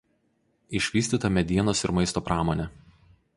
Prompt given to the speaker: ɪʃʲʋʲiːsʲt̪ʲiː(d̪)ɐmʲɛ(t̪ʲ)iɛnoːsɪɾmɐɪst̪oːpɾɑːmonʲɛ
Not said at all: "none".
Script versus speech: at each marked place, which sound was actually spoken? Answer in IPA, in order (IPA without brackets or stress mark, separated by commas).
t̪, d̪ʲ